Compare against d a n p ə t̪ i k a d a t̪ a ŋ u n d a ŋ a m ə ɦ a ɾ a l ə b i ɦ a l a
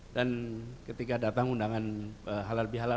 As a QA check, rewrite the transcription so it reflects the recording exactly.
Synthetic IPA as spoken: d a n k ə t̪ i k a d a t̪ a ŋ u n d a ŋ a n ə ɦ a l a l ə b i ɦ a l a